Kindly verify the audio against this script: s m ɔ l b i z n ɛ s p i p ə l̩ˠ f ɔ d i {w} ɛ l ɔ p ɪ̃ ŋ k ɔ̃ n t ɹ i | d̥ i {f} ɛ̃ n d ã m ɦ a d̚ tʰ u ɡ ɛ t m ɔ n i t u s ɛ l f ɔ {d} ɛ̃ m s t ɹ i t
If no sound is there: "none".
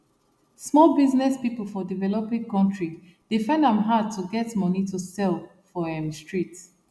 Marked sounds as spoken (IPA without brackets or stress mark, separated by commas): v, f, none